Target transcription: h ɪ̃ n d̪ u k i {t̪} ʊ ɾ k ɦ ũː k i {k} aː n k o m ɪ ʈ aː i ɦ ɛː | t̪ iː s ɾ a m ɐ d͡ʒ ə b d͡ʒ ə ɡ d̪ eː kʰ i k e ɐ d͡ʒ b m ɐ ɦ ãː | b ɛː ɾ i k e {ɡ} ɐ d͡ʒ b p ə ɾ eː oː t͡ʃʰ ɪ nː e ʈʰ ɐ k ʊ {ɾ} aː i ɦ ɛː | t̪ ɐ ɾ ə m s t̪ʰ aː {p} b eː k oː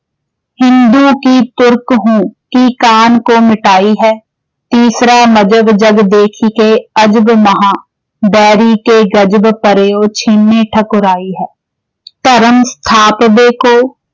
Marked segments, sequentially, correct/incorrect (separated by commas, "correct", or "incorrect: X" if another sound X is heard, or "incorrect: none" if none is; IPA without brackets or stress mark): correct, correct, correct, correct, correct